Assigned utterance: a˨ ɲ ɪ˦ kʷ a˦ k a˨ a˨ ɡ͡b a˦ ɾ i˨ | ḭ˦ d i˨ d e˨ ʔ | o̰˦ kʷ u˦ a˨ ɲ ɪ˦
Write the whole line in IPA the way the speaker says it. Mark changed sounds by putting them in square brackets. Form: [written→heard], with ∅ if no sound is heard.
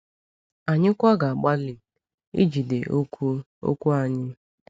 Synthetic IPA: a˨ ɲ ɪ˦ kʷ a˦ [k→ɡ] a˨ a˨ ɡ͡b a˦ [ɾ→l] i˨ | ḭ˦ [d→d͡ʒ] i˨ d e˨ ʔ | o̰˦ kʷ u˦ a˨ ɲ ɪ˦